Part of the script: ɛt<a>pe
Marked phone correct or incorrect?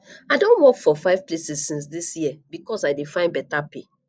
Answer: correct